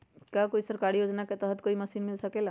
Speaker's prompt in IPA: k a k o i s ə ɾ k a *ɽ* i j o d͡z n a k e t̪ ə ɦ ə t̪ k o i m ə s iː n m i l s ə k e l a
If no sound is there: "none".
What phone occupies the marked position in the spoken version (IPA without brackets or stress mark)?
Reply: ɽ